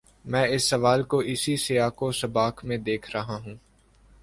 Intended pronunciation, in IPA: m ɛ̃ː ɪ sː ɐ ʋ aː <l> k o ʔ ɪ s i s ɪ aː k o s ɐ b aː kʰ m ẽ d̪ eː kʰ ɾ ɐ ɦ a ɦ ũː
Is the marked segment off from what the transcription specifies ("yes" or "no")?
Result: no